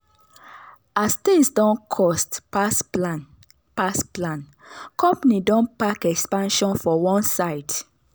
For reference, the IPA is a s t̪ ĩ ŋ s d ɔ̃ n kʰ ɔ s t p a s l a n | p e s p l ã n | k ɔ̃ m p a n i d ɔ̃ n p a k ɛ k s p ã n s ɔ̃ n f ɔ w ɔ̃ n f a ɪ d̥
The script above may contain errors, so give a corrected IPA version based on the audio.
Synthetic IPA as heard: a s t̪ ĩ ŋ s d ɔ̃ n kʰ ɔ s t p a s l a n | p a s p l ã n | k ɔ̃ m p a n i d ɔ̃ n p a k ɛ k s p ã n ʃ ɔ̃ n f ɔ w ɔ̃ n s a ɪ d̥

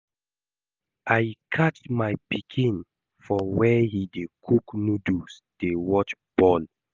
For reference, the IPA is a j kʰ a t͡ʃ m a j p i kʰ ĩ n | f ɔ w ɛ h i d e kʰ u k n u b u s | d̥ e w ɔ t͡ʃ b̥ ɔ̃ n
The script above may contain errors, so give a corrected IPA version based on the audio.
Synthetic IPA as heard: a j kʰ a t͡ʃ m a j p i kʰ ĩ n | f ɔ w ɛ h i d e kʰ u k n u d u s | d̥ e w ɔ t͡ʃ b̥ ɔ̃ n

